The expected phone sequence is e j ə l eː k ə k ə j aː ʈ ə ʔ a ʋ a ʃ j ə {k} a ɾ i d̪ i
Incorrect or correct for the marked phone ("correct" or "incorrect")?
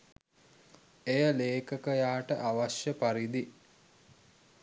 incorrect